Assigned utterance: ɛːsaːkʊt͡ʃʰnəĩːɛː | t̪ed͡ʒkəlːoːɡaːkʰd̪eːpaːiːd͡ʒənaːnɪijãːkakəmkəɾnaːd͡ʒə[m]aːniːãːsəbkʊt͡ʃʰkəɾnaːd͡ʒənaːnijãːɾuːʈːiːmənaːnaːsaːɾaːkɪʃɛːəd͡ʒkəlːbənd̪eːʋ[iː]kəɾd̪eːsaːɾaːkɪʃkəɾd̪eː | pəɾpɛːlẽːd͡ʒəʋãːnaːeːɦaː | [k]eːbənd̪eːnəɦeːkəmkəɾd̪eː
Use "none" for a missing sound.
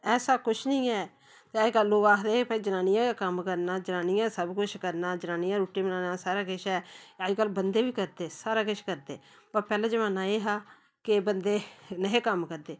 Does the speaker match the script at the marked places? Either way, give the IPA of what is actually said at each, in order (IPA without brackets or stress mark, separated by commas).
n, iː, k